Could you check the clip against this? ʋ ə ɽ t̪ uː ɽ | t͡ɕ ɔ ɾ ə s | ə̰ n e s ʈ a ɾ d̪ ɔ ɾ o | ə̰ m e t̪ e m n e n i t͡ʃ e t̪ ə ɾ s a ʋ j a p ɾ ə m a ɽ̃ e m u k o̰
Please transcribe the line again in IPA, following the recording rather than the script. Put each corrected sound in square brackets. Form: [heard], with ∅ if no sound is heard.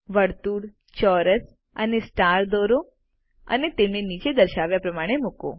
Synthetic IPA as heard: ʋ ə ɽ t̪ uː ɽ | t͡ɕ ɔ ɾ ə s | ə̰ n e s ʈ a ɾ d̪ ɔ ɾ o | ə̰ [n] e t̪ e m n e n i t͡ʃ e [d̪] ə ɾ [ʃ] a ʋ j a p ɾ ə m a ɽ̃ e m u k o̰